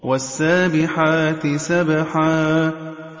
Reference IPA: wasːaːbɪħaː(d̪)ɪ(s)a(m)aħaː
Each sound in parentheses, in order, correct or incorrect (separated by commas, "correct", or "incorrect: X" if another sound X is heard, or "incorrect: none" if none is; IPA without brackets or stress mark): incorrect: t̪, correct, incorrect: b